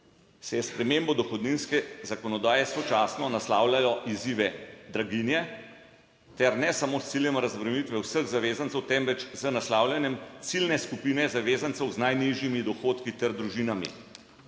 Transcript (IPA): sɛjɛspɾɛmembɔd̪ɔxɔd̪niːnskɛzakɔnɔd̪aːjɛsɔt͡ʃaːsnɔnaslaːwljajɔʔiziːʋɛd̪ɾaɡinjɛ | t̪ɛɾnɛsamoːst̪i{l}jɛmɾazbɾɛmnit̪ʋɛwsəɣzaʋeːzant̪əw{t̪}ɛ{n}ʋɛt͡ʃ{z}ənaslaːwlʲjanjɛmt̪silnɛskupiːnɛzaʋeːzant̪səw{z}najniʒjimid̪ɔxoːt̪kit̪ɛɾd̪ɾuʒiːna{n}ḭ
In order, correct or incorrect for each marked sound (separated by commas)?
correct, correct, incorrect, correct, correct, incorrect